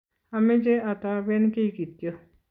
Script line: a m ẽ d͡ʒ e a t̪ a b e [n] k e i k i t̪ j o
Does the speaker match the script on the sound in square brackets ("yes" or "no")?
yes